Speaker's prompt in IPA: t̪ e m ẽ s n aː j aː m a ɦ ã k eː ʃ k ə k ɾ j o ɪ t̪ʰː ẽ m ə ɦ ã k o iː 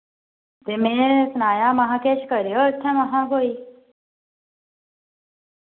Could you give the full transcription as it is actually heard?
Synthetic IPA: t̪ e m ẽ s n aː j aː m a ɦ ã k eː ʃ k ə ɾ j o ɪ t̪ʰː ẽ m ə ɦ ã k o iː